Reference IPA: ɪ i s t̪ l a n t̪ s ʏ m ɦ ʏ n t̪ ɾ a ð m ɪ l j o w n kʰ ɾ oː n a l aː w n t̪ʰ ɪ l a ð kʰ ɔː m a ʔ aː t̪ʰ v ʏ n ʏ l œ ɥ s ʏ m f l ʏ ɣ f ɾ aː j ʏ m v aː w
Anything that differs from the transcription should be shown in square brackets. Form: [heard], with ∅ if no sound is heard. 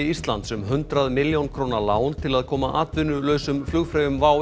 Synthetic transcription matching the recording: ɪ i s t̪ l a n t̪ s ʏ m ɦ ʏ n t̪ ɾ a ð m ɪ l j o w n kʰ ɾ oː n a l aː w n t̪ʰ ɪ l a ð kʰ ɔː m a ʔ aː [t̪] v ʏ n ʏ l œ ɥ s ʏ m f l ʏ ɣ f ɾ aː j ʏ m v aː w